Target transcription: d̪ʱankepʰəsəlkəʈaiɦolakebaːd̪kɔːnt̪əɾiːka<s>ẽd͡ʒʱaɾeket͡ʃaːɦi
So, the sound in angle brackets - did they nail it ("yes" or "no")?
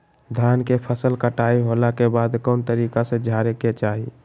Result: yes